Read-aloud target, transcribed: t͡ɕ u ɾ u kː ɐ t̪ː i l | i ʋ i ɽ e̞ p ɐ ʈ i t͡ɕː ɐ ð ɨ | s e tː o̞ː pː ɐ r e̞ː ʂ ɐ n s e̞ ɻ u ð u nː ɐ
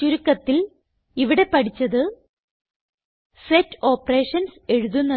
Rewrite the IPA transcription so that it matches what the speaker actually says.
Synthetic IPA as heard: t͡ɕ u ɾ u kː ɐ t̪ː i l | i ʋ i ɽ e̞ p ɐ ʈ i t͡ɕː ɐ ð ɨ | s e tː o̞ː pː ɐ r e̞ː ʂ ɐ n s e̞ ɻ u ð u nː ɐ